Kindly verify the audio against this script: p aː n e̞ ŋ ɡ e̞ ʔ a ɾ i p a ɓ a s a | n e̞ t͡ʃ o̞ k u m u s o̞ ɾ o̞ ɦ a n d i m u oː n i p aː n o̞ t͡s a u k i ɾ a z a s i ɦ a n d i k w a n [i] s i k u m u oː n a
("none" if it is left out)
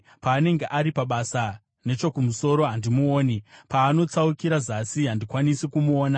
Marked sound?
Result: i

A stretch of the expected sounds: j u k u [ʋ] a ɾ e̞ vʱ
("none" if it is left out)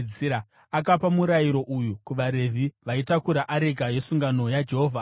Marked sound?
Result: ʋ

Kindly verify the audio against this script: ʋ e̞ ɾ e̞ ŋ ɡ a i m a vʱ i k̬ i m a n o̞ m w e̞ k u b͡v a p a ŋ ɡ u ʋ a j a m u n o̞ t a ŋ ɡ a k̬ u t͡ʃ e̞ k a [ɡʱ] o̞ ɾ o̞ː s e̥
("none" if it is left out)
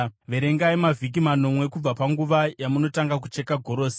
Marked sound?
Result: ɡʱ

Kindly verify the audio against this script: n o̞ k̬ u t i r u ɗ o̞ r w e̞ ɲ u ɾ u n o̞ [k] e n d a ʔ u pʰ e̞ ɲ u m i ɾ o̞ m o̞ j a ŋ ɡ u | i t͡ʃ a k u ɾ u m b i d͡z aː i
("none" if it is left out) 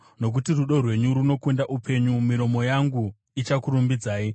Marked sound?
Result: k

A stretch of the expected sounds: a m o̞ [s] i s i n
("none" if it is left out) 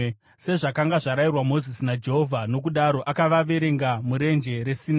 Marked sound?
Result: z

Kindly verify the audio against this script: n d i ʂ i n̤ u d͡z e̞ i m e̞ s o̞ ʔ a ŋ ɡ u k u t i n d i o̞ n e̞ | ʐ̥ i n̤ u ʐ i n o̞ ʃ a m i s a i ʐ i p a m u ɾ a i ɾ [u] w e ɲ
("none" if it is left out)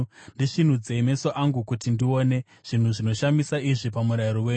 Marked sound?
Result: o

